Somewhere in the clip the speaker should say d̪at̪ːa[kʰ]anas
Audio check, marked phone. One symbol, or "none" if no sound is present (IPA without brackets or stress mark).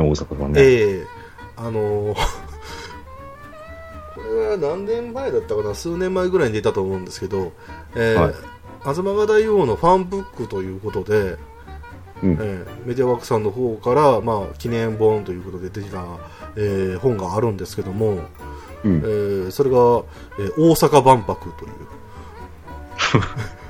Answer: k